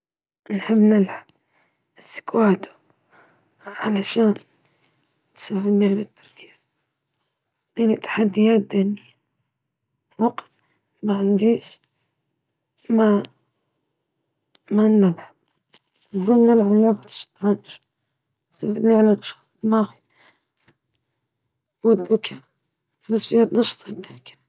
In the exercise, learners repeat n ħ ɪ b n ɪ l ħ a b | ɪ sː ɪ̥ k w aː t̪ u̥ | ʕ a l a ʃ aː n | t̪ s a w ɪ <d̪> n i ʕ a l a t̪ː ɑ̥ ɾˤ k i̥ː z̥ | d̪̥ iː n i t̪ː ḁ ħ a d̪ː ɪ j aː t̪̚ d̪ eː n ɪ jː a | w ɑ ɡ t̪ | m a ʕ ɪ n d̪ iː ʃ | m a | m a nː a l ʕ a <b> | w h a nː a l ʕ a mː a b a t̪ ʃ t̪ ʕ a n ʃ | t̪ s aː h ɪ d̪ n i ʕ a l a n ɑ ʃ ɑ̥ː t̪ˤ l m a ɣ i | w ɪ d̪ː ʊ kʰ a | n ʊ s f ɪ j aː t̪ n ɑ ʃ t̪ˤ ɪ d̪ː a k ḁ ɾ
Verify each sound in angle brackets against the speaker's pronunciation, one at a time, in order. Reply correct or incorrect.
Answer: correct, correct

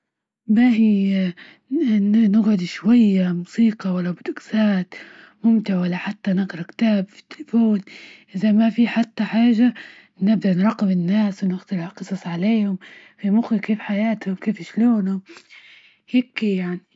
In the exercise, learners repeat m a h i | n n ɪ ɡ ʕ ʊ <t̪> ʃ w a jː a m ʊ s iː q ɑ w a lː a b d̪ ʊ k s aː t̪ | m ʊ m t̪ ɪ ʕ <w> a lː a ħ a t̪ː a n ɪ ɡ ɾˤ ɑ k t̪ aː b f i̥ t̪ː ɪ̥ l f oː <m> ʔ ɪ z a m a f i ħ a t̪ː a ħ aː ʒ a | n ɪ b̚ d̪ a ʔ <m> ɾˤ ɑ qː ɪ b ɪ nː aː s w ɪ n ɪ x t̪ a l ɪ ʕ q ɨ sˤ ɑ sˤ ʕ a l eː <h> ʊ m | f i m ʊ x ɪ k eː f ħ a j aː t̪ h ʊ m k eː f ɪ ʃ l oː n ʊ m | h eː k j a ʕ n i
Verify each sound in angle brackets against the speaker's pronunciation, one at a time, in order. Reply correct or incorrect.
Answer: incorrect: d̪, correct, incorrect: n, incorrect: n, correct

